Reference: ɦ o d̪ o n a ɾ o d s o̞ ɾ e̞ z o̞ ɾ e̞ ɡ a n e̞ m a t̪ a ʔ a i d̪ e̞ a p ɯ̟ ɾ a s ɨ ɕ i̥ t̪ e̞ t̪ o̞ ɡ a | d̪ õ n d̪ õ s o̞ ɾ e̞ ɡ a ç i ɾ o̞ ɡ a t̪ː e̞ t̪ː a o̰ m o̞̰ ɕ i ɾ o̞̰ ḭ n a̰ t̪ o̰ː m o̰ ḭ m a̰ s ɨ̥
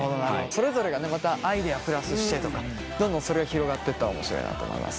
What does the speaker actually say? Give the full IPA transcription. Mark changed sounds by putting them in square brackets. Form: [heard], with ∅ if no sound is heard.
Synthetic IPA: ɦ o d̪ o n a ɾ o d s o̞ ɾ e̞ z o̞ ɾ e̞ ɡ a n e̞ m a t̪ a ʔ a i d̪ e̞ a p ɯ̟ ɾ a s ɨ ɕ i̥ t̪ e̞ t̪ o̞ [k] a | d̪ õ n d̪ õ s o̞ ɾ e̞ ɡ a ç i ɾ o̞ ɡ a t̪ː e̞ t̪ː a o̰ m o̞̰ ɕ i ɾ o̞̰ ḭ n a̰ t̪ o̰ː m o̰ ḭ m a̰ s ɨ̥